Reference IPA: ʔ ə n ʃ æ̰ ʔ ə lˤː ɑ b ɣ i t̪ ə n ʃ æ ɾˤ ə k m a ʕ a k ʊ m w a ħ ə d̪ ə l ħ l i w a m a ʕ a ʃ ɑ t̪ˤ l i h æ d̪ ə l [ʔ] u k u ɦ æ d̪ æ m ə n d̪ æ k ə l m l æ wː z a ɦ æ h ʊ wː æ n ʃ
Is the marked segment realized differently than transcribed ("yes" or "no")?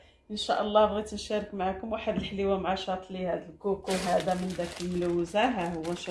yes